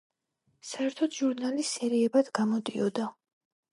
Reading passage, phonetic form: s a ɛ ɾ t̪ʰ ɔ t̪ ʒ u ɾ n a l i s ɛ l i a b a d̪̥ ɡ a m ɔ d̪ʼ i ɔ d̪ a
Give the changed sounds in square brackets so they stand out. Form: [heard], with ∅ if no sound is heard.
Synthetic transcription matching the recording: s a ɛ ɾ t̪ʰ ɔ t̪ ʒ u ɾ n a l i s ɛ [ɾ] i [ɛ] b a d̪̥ ɡ a m ɔ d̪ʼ i ɔ d̪ a